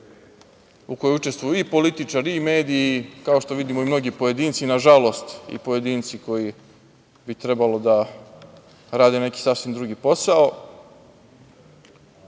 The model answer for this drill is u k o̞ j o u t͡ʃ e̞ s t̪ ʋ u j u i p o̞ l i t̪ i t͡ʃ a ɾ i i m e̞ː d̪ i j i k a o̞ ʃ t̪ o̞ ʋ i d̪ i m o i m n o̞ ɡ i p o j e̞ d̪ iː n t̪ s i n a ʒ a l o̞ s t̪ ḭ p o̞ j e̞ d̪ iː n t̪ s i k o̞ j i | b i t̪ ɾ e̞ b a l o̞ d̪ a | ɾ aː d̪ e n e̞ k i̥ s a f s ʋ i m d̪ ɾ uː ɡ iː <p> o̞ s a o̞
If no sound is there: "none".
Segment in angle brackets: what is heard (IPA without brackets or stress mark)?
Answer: p